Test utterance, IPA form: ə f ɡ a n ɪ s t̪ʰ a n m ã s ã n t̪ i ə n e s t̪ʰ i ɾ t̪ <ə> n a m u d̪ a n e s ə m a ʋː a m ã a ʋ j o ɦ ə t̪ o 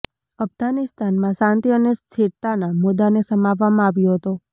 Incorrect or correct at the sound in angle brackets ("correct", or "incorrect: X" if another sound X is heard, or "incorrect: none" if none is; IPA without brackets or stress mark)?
incorrect: a